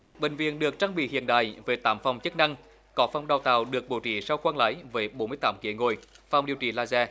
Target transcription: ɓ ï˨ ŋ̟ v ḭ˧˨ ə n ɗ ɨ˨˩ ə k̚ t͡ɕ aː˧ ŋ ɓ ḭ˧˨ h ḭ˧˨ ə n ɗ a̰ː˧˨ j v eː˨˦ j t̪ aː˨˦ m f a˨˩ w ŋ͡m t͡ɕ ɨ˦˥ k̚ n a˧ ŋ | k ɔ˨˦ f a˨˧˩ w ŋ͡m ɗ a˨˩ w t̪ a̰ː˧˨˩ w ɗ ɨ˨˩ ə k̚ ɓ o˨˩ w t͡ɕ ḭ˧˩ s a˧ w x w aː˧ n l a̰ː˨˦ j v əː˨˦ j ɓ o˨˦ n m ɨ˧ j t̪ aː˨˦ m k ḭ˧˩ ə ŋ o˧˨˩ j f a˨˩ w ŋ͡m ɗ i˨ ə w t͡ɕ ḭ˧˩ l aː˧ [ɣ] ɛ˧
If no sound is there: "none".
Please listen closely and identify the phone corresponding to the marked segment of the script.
z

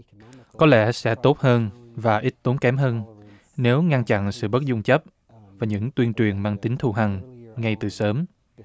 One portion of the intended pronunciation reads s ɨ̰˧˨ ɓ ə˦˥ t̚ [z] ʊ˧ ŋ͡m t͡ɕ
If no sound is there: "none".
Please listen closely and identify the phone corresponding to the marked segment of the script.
z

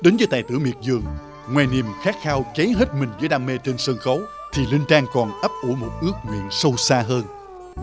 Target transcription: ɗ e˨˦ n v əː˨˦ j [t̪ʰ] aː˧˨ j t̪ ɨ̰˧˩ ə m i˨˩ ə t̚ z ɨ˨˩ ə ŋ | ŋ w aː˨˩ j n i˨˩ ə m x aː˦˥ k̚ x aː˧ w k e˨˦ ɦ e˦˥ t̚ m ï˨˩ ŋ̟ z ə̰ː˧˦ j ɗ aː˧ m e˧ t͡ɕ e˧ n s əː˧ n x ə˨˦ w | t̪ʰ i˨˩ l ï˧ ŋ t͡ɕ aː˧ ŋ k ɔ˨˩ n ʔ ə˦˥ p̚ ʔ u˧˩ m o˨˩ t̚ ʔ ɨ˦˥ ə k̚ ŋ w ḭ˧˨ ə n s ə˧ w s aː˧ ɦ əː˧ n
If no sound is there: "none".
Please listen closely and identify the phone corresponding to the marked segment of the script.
t̪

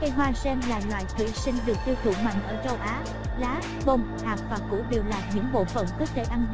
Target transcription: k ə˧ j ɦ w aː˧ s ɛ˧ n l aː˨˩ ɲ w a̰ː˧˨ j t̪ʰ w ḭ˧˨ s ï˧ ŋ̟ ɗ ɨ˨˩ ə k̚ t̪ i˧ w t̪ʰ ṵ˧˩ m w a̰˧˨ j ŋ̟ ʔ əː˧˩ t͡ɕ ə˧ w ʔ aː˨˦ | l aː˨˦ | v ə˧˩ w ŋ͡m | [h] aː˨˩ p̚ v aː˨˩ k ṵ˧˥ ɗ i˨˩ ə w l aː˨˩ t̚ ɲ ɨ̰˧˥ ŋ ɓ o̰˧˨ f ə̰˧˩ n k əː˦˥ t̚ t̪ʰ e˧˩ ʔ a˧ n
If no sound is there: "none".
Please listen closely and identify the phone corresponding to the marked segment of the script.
h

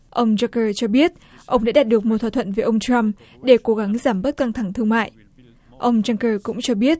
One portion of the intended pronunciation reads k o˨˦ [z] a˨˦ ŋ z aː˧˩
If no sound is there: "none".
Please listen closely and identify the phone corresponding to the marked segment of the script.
ɣ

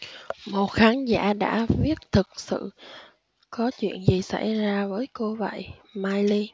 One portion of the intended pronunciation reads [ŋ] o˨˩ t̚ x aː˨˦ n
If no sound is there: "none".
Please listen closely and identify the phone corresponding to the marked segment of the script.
m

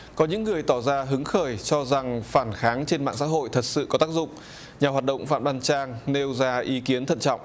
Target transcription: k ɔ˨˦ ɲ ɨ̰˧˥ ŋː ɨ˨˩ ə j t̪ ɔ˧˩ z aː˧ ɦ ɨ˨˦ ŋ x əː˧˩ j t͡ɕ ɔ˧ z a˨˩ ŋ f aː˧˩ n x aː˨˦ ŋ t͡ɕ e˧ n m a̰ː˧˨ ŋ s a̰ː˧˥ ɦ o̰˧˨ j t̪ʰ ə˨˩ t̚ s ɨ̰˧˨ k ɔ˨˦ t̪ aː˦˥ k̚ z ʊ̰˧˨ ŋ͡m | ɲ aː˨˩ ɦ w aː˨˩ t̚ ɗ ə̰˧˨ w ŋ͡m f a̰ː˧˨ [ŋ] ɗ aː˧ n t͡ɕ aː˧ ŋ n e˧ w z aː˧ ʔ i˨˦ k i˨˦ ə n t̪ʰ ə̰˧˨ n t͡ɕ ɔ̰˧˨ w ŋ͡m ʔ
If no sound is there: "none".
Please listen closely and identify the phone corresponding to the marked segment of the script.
m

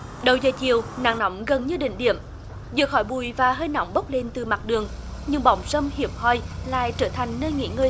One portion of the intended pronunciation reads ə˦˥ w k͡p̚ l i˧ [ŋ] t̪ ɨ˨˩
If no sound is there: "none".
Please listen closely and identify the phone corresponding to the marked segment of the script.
n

